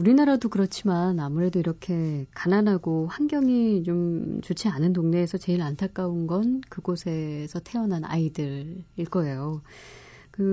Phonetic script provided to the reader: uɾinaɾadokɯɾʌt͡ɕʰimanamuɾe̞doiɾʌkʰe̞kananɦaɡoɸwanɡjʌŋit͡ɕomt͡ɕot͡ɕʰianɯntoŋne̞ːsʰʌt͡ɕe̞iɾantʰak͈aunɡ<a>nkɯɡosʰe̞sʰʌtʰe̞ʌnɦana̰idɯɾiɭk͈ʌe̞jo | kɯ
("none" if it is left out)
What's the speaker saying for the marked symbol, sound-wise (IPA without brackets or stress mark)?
ʌ